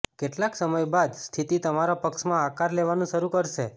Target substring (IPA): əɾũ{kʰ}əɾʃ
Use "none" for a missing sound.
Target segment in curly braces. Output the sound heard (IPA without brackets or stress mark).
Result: k